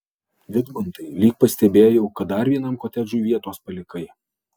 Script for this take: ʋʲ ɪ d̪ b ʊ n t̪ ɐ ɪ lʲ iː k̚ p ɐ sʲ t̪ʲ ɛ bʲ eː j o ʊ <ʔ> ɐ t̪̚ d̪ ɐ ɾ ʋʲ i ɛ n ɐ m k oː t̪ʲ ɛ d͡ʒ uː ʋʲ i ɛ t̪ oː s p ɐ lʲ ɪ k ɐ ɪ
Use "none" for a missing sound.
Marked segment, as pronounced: k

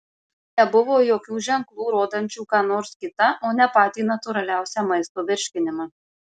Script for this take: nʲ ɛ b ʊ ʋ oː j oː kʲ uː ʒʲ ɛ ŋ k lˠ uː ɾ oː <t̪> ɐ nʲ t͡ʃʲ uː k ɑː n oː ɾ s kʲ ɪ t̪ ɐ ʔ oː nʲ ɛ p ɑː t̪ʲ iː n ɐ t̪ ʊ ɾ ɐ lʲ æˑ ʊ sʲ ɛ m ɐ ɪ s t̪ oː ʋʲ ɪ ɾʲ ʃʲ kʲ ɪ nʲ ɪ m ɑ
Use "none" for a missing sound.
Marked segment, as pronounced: d̪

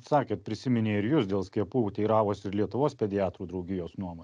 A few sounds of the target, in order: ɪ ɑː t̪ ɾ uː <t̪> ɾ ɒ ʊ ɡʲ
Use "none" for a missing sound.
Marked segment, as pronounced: d̪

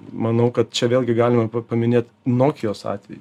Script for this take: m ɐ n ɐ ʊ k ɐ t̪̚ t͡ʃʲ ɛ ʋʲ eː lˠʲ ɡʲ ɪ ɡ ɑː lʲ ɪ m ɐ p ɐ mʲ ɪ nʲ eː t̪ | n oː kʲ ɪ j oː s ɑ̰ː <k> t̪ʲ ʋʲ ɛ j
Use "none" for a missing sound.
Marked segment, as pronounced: none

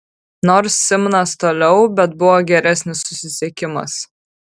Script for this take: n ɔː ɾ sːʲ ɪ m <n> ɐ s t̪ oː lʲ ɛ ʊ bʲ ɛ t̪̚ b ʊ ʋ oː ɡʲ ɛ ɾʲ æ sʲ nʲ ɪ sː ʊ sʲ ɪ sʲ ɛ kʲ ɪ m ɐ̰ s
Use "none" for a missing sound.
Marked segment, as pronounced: n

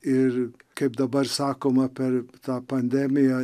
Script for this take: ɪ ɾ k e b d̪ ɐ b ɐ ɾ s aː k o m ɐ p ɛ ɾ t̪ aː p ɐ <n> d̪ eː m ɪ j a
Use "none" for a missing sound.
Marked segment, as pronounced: n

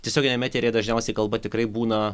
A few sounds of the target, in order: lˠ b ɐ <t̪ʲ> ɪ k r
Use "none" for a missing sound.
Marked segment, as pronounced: t̪ʲ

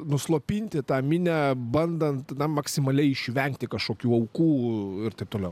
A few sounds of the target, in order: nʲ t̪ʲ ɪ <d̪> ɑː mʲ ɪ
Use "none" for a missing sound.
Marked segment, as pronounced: t̪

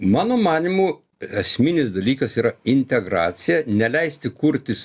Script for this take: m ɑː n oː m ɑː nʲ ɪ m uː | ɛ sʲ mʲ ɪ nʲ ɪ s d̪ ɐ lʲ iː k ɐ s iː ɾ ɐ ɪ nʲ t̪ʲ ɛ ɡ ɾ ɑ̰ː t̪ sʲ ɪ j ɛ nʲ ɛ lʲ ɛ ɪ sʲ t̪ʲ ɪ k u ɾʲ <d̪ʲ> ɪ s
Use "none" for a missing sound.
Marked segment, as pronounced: t̪ʲ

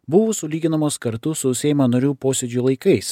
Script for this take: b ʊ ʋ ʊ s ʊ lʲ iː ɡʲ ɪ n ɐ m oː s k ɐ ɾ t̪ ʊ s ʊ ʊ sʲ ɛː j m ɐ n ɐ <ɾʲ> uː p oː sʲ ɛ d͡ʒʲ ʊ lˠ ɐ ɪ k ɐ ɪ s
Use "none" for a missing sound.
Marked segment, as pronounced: ɾʲ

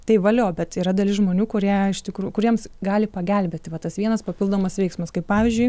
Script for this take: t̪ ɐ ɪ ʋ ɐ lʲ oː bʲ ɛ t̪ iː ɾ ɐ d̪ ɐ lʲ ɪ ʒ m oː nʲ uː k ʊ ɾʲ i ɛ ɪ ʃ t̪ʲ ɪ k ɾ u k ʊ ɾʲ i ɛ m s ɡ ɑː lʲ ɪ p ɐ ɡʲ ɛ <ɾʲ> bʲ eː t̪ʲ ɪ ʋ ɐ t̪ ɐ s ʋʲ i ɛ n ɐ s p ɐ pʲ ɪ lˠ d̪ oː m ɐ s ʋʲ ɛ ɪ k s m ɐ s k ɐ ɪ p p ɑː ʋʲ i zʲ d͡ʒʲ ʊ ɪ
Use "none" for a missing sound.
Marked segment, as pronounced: lʲ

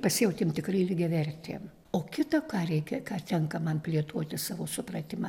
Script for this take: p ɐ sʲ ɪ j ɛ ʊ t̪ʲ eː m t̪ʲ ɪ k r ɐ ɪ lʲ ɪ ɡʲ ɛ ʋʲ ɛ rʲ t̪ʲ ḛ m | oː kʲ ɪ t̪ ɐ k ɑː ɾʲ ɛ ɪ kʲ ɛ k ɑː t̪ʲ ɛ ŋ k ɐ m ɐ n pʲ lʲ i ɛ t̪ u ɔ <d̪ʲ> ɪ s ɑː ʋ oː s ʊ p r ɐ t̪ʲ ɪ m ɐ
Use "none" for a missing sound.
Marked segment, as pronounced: t̪ʲ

